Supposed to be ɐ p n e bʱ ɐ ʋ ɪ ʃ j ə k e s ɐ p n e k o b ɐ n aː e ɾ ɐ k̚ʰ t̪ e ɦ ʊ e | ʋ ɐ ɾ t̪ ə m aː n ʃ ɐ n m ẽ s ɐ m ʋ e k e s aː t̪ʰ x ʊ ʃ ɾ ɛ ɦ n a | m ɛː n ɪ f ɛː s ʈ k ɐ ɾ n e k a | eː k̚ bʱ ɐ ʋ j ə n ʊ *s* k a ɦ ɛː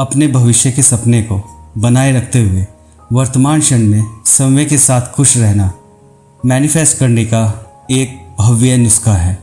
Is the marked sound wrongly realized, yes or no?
no